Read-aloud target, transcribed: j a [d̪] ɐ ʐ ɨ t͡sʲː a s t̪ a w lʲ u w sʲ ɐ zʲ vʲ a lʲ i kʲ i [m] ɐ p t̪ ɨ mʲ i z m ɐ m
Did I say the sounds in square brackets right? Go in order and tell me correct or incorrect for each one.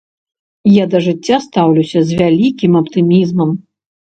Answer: correct, correct

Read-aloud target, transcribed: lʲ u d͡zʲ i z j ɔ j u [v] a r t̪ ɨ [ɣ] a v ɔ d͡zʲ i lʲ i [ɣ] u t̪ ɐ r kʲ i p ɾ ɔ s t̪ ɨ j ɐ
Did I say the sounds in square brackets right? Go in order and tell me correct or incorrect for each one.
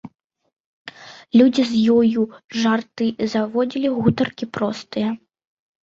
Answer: incorrect: ʐ, incorrect: z, correct

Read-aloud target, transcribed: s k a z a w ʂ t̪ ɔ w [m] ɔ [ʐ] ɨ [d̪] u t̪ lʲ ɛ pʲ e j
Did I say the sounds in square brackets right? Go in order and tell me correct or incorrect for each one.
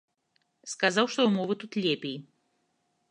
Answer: correct, incorrect: v, incorrect: t̪

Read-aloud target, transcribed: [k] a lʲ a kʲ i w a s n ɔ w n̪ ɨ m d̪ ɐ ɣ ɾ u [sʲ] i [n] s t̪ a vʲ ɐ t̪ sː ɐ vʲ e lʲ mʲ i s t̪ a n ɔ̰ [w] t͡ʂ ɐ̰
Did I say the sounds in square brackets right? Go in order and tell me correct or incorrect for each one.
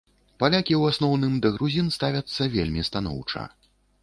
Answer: incorrect: p, incorrect: zʲ, correct, correct

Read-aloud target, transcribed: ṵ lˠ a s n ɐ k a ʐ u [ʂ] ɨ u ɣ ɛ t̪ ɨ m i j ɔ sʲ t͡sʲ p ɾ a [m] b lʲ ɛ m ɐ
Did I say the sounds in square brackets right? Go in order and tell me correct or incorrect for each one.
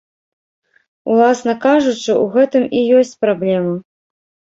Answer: incorrect: t͡ʂ, incorrect: none

